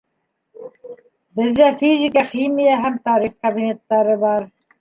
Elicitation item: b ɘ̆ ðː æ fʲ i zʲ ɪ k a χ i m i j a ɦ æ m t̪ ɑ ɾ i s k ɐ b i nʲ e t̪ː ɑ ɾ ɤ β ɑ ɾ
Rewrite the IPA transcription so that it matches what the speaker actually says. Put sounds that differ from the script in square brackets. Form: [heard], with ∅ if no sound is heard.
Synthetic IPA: b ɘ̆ ðː æ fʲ i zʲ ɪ k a χ i m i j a ɦ æ m t̪ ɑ ɾ i [χ] k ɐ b i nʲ e t̪ː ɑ ɾ ɤ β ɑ ɾ